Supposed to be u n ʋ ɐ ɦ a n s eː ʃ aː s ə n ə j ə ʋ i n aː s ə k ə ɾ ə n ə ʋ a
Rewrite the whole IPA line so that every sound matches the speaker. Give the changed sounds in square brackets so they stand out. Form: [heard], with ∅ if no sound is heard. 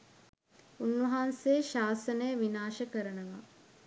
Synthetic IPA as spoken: u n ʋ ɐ ɦ a n s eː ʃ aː s ə n ə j ə ʋ i n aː [ʃ] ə k ə ɾ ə n ə ʋ a